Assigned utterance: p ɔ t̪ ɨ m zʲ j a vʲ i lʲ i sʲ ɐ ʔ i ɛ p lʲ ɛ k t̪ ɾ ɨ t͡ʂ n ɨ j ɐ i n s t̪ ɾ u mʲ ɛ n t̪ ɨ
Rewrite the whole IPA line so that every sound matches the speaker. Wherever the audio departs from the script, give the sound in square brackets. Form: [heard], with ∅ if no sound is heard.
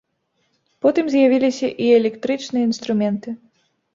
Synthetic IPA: p ɔ t̪ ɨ m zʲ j a vʲ i lʲ i sʲ ɐ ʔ i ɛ [∅] lʲ ɛ k t̪ ɾ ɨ t͡ʂ n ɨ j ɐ i n s t̪ ɾ u mʲ ɛ n t̪ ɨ